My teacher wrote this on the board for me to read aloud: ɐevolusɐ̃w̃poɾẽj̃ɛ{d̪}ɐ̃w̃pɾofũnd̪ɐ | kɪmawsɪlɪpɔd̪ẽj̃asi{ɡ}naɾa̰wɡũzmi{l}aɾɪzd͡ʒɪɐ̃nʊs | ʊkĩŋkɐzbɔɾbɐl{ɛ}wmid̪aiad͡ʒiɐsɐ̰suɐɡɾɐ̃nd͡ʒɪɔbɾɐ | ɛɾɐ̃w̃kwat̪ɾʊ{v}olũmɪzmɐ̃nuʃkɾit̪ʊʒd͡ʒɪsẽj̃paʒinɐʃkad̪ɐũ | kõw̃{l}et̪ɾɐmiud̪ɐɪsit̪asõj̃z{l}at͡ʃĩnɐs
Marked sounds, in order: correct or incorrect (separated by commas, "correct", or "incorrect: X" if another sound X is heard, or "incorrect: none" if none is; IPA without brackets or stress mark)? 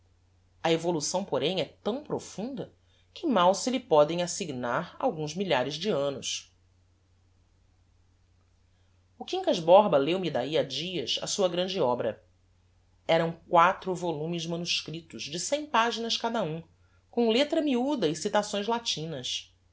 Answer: incorrect: t̪, correct, incorrect: ʎ, incorrect: e, correct, correct, correct